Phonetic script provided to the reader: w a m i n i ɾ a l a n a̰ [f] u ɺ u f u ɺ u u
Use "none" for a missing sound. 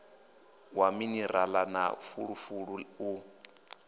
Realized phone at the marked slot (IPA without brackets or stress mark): f